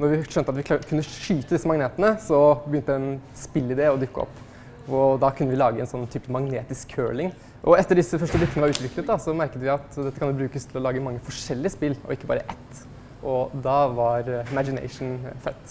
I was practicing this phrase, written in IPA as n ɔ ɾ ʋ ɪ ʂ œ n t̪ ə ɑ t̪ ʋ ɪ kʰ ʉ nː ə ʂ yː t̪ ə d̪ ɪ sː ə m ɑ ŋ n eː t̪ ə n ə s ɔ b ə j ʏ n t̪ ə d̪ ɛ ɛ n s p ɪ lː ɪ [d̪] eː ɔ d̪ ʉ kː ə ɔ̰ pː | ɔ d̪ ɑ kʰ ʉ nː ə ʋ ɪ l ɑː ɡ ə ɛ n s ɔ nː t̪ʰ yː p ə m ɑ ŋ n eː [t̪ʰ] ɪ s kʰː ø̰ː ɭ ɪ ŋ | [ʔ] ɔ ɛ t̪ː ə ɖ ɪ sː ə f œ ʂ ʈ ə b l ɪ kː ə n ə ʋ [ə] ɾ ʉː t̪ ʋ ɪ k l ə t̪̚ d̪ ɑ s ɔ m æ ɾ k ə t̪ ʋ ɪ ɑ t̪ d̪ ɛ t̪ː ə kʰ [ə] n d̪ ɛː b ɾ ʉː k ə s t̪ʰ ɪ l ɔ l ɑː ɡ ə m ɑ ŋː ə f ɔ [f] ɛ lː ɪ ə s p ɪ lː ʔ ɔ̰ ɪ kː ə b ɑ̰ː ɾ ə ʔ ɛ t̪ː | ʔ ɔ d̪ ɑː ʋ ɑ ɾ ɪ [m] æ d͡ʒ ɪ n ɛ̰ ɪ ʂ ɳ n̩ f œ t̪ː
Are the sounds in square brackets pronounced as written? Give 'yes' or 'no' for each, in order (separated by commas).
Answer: yes, no, yes, no, no, no, yes